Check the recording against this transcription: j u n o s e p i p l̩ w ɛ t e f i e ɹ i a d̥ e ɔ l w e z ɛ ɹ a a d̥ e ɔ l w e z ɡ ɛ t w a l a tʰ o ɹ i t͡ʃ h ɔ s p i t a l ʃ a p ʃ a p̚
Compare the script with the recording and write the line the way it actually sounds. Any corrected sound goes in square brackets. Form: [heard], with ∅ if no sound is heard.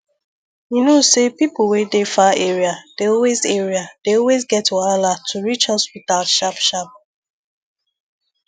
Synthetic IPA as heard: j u n o s e p i p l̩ w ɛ [d] e f [a] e ɹ i a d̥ e ɔ l w e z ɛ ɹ [i] a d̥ e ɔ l w e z ɡ ɛ t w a l a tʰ [u] ɹ i t͡ʃ h ɔ s p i t a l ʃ a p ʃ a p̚